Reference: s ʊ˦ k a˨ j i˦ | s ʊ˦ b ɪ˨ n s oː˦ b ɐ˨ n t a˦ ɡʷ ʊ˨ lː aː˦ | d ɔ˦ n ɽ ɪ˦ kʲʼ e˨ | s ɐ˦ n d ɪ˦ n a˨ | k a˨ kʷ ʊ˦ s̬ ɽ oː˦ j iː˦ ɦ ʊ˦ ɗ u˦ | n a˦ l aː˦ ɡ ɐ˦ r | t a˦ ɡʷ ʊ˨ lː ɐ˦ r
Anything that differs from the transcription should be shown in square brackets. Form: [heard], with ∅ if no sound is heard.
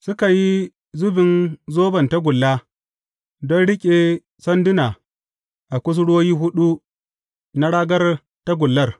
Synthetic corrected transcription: s ʊ˦ k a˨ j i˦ | [z] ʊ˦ b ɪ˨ n [z] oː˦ b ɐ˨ n t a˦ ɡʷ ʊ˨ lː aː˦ | d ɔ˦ n ɽ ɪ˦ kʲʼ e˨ | s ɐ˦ n d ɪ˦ n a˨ | [ʔ] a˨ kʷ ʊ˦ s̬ ɽ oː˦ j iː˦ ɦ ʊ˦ ɗ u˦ | n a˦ [ɽ] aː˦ ɡ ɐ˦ r | t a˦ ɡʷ ʊ˨ lː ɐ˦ r